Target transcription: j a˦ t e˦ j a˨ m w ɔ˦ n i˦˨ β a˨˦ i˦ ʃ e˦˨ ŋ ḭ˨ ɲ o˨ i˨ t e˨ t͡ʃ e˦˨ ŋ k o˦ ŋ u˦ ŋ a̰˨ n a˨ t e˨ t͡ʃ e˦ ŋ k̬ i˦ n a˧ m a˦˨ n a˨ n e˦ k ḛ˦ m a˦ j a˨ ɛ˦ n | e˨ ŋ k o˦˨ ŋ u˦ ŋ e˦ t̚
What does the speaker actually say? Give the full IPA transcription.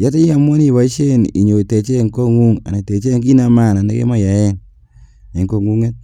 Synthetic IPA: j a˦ t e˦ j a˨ m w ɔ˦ n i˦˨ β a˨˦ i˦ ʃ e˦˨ n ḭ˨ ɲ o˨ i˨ t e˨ t͡ʃ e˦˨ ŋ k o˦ ŋ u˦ ŋ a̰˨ n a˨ t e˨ t͡ʃ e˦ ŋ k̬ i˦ n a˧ m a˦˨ n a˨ n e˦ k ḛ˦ m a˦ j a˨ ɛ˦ n | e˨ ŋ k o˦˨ ŋ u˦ ŋ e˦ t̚